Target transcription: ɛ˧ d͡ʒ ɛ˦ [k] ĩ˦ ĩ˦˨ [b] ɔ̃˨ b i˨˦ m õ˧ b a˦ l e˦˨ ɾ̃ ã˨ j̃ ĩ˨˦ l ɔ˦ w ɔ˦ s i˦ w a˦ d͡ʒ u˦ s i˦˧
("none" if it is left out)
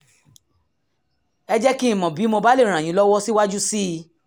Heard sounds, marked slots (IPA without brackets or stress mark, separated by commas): k, m